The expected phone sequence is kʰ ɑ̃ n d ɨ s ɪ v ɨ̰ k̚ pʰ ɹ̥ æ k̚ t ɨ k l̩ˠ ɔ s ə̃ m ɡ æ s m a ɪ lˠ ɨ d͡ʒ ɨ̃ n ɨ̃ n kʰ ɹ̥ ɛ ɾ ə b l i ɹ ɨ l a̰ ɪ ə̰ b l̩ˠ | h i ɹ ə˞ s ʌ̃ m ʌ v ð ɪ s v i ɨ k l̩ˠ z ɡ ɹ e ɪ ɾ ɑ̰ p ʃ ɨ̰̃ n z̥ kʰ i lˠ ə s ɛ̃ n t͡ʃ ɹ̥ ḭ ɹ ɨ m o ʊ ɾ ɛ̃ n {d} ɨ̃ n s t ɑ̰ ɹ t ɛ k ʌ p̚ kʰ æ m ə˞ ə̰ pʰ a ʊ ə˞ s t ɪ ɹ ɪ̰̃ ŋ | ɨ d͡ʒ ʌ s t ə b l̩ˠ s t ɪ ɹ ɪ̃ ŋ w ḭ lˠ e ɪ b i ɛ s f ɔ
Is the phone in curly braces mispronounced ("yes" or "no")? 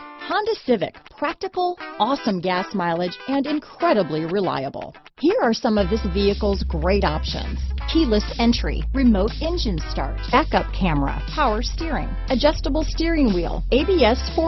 yes